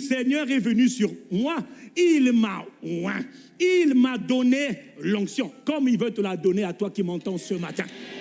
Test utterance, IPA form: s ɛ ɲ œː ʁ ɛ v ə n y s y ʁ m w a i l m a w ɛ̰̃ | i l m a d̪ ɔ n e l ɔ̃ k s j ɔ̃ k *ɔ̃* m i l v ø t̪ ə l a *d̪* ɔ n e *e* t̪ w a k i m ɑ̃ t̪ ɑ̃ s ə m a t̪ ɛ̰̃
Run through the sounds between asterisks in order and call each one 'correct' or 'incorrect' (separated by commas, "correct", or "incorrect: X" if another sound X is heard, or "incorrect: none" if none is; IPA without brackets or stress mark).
incorrect: ɔ, correct, incorrect: a